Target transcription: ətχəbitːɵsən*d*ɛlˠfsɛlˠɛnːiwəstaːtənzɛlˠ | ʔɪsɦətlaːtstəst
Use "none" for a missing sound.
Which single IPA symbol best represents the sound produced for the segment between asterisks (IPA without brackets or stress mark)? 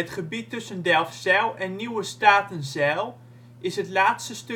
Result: d